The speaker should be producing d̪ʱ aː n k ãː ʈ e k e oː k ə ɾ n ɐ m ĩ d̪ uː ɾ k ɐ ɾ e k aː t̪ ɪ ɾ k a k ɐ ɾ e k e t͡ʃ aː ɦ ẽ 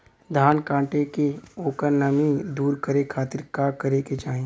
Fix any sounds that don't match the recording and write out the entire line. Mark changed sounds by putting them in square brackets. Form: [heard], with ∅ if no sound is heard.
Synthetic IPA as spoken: d̪ʱ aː n k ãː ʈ e k e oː k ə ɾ n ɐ m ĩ d̪ uː ɾ k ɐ ɾ e [kʰ] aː t̪ ɪ ɾ k a k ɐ ɾ e k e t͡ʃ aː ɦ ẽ